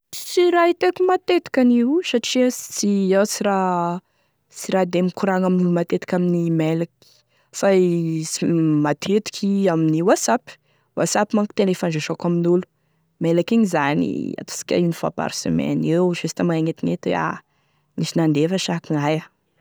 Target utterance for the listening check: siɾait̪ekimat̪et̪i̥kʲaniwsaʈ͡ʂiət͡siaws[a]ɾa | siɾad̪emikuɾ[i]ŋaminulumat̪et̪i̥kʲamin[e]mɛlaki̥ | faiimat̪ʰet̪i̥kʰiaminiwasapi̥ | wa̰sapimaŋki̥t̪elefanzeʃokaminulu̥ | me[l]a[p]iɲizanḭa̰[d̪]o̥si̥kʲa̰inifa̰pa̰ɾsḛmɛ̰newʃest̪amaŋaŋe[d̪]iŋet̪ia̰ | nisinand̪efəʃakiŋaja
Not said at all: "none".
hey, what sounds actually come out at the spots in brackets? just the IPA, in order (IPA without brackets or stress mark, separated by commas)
i, a, i, l, k, t̪, t̪